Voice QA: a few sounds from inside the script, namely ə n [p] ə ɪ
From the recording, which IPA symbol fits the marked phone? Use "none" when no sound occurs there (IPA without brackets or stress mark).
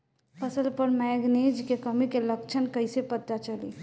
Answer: k